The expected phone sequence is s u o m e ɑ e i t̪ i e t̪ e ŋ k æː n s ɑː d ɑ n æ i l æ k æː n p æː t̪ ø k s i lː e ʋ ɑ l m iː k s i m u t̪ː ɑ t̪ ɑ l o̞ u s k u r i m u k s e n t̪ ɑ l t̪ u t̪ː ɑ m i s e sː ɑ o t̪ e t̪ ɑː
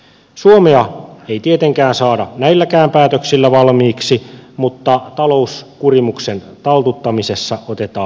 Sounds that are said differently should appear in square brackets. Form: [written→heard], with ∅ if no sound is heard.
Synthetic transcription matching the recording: s u o m e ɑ e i t̪ i e t̪ e ŋ k æː n s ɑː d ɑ n æ i [l→lː] æ k æː [n→m] p æː t̪ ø k s i lː [e→æ] ʋ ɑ l m iː k s i m u t̪ː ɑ t̪ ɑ l o̞ u s k u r i m u k s e n t̪ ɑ l t̪ u t̪ː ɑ m i s e sː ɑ o t̪ e t̪ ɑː